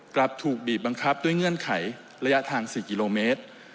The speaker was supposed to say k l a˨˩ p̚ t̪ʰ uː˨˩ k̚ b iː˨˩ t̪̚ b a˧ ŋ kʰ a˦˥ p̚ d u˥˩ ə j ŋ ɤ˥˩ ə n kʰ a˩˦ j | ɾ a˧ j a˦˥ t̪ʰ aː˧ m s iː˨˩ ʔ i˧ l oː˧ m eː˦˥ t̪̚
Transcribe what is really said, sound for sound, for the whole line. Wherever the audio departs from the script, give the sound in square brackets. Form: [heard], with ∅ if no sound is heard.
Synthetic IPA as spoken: k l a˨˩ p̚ t̪ʰ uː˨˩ k̚ b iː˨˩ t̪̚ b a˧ ŋ kʰ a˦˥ p̚ d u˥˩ ə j ŋ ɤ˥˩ ə n kʰ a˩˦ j | ɾ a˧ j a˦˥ t̪ʰ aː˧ [ŋ] s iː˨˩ [k] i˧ l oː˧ m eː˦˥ t̪̚